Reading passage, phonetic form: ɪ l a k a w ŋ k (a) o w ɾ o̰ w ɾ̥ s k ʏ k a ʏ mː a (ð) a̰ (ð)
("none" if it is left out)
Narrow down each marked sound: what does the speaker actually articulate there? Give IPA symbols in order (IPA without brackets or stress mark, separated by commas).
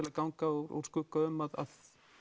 a, ð, ð